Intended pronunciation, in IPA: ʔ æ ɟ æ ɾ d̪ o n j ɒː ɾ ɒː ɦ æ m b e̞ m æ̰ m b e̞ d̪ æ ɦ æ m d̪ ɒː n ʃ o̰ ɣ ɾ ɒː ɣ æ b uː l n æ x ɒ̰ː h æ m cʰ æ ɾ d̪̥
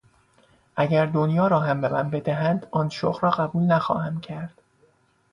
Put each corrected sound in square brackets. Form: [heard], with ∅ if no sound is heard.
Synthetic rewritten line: ʔ æ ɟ æ ɾ d̪ o n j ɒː ɾ ɒː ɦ æ m b e̞ m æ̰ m b e̞ d̪ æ ɦ æ [n] d̪ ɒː n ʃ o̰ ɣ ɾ ɒː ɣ æ b uː l n æ x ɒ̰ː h æ m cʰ æ ɾ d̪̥